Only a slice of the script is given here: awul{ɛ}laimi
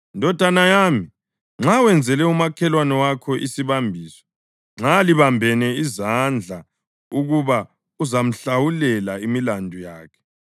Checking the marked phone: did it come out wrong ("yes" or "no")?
no